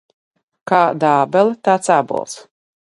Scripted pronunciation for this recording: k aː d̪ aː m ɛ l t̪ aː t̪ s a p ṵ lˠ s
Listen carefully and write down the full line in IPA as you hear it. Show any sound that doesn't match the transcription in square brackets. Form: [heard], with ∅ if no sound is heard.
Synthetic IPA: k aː d̪ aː [b] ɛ l t̪ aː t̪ s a [b] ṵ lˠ s